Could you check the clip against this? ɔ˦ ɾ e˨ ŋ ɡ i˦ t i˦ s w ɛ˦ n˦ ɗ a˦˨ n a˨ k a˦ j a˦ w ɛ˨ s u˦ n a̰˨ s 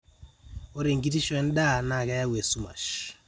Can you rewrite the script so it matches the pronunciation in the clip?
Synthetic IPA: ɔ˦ ɾ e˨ ŋ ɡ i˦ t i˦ ʃ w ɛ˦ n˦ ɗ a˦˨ n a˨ k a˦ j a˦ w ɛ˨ s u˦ m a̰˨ ʃ

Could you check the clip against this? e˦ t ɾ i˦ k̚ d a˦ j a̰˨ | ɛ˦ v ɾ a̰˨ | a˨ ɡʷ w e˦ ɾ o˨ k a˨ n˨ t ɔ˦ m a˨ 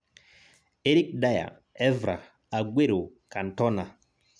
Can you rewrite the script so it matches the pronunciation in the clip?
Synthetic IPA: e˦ ɾ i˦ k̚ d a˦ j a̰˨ | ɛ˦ v ɾ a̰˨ | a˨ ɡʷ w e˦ ɾ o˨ k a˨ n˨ t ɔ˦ n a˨

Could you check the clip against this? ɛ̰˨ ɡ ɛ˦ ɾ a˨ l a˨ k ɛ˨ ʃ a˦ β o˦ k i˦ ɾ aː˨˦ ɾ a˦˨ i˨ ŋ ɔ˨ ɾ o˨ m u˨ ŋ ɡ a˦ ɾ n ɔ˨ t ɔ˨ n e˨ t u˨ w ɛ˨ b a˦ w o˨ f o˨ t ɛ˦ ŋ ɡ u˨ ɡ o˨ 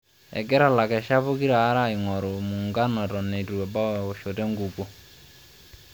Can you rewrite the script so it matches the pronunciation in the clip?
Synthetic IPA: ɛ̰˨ ɡ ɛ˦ ɾ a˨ l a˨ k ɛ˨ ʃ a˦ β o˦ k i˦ ɾ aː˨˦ ɾ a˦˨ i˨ ŋ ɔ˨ ɾ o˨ m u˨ ŋ ɡ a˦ n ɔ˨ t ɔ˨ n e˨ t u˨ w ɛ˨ b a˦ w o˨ ʃ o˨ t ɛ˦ ŋ ɡ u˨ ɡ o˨

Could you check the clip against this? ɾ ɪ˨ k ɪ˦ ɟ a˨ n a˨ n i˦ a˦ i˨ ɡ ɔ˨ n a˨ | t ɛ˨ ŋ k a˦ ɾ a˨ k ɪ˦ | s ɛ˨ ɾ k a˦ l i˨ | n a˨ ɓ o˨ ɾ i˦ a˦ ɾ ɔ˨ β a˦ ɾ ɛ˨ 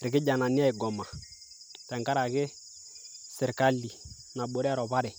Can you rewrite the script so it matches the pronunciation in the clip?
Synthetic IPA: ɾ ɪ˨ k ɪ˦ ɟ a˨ n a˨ n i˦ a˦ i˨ ɡ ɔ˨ m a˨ | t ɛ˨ ŋ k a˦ ɾ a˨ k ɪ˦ | s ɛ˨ ɾ k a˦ l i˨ | n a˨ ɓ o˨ ɾ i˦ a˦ ɾ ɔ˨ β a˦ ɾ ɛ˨

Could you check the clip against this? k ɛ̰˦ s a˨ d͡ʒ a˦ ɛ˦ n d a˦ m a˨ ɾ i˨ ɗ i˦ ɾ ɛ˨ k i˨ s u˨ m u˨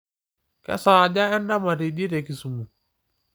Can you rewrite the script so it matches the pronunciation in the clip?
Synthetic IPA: k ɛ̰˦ s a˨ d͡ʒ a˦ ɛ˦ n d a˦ m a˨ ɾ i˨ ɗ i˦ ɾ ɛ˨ k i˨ s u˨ m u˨

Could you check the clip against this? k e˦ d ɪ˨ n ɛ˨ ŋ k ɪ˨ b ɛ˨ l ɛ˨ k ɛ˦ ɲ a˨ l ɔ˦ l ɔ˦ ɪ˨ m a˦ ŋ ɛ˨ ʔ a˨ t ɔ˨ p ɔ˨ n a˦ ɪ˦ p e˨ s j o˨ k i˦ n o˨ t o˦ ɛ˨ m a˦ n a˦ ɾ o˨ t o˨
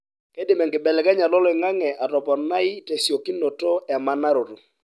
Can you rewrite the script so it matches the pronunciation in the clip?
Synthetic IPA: k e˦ d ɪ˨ m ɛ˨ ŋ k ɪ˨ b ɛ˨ l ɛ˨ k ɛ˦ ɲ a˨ l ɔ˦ l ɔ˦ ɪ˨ ŋ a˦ ŋ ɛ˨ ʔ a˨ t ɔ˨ p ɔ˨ n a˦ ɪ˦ t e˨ s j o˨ k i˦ n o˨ t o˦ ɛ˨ m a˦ n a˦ ɾ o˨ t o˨

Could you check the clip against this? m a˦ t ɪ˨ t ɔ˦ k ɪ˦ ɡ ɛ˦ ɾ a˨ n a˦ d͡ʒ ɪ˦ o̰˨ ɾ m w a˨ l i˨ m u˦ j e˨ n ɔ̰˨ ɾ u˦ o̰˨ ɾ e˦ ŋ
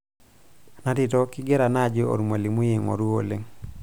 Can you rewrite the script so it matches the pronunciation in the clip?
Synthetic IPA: n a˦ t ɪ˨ t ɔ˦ k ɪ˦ ɡ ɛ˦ ɾ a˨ n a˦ d͡ʒ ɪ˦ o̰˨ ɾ m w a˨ l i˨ m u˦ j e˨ ŋ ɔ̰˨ ɾ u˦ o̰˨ l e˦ ŋ

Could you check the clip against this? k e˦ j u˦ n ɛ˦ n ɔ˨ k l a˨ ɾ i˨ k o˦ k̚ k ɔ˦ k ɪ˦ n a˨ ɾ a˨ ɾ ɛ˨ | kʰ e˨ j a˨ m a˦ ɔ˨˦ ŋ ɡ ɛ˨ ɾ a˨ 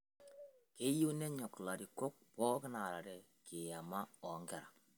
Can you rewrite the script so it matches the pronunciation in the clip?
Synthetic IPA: k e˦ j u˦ n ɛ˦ ɲ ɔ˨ k l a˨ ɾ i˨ k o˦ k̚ p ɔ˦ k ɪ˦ n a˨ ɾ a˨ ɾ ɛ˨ | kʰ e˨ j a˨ m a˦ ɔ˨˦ ŋ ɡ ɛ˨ ɾ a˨

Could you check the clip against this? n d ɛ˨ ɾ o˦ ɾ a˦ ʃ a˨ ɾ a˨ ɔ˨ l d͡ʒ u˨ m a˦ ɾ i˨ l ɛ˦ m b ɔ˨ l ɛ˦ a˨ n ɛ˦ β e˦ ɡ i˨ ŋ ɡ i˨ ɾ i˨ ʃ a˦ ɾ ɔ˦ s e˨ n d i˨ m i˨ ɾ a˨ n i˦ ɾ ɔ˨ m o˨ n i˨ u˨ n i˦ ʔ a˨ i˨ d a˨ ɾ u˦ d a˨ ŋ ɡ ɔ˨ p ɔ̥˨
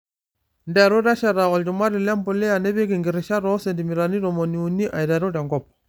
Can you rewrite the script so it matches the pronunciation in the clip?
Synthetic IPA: n d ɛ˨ ɾ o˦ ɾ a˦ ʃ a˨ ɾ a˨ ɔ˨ l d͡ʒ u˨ m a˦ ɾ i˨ l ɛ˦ m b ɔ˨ l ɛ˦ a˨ n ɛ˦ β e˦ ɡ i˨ ŋ ɡ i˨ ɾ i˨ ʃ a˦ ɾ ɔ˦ s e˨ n d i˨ m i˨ ɾ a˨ n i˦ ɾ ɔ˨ m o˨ n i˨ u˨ n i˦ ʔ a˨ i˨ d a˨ ɾ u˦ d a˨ ŋ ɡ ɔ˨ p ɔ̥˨

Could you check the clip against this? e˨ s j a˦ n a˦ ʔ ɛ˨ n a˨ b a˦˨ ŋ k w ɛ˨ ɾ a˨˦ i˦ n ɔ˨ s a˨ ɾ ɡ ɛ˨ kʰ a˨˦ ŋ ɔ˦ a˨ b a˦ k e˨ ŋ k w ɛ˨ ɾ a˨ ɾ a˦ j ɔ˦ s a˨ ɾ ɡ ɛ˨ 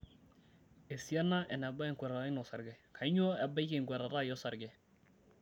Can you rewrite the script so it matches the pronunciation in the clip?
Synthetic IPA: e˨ s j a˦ n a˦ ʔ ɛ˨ n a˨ b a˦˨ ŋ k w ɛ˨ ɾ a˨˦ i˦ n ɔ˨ s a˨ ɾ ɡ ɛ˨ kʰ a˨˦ ɲ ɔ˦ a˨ b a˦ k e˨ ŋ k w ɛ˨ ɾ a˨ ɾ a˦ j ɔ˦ s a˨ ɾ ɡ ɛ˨

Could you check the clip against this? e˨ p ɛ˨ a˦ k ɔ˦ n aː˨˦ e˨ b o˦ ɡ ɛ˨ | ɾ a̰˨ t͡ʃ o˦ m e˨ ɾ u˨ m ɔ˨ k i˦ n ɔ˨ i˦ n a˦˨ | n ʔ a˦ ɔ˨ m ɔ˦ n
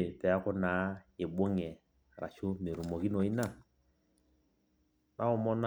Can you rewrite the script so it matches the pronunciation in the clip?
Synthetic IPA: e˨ p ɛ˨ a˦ k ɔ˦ n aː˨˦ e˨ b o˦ ŋ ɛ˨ | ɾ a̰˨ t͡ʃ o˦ m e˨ ɾ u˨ m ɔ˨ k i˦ n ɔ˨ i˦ n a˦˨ | n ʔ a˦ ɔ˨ m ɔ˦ n

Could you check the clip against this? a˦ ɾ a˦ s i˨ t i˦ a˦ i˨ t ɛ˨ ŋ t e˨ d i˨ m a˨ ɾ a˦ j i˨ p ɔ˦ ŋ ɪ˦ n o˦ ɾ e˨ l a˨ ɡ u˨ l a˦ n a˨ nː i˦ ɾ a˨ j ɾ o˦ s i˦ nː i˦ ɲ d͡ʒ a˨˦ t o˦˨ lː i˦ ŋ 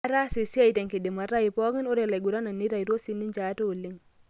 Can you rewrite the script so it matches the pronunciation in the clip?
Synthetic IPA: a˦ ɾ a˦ s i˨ s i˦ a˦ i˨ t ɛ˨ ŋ k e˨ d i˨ m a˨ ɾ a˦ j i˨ p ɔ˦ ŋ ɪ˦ n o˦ ɾ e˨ l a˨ ɡ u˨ ɾ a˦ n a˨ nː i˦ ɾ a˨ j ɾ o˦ s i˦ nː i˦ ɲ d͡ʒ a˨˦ t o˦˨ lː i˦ ŋ

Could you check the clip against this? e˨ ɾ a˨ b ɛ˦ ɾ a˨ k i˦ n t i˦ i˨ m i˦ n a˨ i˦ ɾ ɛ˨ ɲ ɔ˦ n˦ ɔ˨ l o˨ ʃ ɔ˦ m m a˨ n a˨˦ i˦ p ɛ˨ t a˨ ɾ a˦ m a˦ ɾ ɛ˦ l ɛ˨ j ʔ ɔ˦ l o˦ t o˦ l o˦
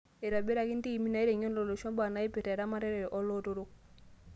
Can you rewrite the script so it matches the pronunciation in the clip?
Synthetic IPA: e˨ ɾ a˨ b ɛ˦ ɾ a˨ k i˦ n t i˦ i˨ m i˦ n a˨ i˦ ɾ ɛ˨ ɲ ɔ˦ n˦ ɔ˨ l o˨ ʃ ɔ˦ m b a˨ n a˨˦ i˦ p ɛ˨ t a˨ ɾ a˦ m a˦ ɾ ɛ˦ ɾ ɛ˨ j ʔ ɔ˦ l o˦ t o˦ ɾ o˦

